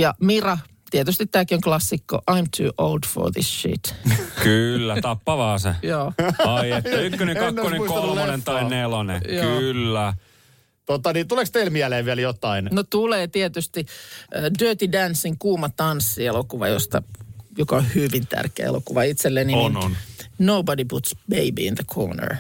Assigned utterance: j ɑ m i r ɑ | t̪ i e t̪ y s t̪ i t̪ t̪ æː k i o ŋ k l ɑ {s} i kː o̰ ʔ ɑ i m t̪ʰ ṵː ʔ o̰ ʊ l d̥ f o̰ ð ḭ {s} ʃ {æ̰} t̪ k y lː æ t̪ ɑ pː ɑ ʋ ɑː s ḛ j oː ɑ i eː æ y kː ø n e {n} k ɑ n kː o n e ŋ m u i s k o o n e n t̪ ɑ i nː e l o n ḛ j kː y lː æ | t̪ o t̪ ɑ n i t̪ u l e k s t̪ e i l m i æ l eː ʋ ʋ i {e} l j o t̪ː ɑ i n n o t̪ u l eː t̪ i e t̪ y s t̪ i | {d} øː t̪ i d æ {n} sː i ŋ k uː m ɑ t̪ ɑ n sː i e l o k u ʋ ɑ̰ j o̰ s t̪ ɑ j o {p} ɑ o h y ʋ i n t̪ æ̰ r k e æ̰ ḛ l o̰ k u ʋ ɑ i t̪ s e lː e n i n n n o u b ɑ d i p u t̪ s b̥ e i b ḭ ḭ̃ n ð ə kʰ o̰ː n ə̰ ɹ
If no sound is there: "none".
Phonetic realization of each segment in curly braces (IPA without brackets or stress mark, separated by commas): sː, s, ḭ, ŋ, æ, d, n, k